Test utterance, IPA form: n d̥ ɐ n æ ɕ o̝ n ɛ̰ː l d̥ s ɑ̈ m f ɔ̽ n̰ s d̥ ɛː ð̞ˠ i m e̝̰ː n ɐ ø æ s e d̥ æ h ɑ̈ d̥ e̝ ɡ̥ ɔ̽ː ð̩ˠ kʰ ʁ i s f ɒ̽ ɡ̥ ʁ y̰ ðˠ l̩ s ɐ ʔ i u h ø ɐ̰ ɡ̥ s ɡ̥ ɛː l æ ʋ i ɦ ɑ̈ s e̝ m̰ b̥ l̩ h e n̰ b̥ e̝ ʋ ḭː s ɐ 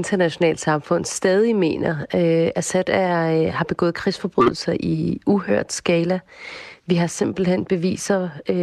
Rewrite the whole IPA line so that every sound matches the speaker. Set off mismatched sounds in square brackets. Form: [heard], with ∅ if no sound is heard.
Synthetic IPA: n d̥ ɐ n æ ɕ o̝ n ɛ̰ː l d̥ s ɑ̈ m f ɔ̽ n̰ s d̥ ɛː ð̞ˠ i m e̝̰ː n ɐ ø æ s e d̥ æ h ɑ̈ [b̥] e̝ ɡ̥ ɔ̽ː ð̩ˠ kʰ ʁ i s f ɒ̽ [b̥] ʁ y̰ ðˠ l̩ s ɐ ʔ i u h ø ɐ̰ [d̥] s ɡ̥ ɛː l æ ʋ i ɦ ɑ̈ s e̝ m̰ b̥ l̩ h e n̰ b̥ e̝ ʋ ḭː s ɐ